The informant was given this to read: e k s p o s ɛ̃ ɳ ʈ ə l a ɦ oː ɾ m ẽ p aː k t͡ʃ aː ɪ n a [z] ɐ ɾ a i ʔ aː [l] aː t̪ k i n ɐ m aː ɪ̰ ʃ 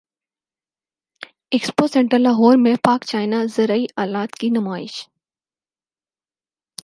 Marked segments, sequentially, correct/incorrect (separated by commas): correct, correct